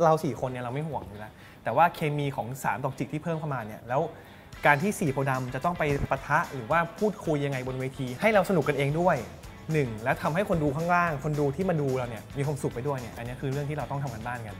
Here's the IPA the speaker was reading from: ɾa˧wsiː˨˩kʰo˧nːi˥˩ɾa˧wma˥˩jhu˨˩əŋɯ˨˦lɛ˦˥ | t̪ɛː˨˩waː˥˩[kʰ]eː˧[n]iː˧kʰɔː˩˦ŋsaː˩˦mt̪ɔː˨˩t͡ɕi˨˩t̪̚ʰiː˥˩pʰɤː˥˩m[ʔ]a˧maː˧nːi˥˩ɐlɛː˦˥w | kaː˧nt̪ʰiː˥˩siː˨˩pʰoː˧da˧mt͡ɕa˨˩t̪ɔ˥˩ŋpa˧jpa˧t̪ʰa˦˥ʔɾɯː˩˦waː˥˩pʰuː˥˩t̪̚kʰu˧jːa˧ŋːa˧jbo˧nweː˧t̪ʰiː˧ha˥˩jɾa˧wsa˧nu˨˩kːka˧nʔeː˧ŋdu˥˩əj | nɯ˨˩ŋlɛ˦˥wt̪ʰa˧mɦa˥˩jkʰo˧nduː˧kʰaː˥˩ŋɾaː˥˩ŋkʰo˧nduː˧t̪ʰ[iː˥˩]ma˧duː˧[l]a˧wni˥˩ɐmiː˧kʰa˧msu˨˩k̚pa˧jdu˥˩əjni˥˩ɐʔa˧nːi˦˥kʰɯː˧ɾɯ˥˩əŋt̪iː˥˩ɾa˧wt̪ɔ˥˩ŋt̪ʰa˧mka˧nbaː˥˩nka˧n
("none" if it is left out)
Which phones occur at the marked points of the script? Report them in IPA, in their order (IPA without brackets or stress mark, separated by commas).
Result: kʰ, m, p, iː˥˩, ɾ